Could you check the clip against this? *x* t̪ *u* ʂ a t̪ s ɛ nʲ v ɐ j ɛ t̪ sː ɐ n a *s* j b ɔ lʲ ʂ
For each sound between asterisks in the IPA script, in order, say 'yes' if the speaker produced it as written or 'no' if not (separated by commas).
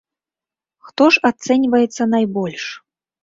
yes, no, no